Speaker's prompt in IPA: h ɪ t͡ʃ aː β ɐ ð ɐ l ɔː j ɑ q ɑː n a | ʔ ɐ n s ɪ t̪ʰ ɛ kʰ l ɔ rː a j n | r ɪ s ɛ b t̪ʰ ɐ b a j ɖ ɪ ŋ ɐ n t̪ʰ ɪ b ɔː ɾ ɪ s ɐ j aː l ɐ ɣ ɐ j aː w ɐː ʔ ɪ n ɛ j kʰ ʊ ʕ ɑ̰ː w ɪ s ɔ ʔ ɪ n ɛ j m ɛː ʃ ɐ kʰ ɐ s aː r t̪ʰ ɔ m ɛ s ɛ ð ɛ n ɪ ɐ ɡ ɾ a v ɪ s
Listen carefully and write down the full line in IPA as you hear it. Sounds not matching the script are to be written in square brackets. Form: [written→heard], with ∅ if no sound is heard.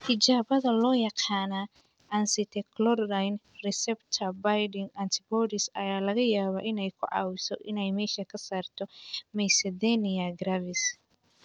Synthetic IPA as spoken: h ɪ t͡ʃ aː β ɐ ð ɐ l ɔː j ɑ q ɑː n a | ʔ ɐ n s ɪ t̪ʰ ɛ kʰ l ɔ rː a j n | r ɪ s ɛ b t̪ʰ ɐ b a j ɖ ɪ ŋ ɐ n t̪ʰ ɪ b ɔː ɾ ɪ s ɐ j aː l ɐ ɣ ɐ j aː [w→β] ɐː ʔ ɪ n ɛ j kʰ ʊ ʕ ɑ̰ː w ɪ s ɔ ʔ ɪ n ɛ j m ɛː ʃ ɐ kʰ ɐ s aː r t̪ʰ ɔ m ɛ s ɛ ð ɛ n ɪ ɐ ɡ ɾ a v ɪ s